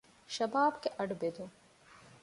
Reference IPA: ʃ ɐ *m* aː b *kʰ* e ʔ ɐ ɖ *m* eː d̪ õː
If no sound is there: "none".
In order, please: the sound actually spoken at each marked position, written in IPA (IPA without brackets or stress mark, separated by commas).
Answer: b, k, b